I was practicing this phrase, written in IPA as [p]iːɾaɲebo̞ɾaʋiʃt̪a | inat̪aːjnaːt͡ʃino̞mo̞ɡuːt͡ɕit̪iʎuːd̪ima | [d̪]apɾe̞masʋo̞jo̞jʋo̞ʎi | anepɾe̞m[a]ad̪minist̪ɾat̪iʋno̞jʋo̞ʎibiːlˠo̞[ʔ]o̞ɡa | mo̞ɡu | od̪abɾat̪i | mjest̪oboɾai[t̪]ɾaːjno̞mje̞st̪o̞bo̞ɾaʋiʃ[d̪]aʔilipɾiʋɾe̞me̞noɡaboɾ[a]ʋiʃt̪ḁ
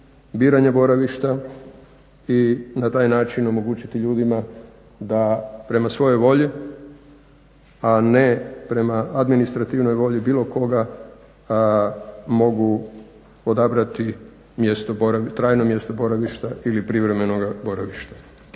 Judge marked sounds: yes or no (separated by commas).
no, yes, yes, no, yes, no, yes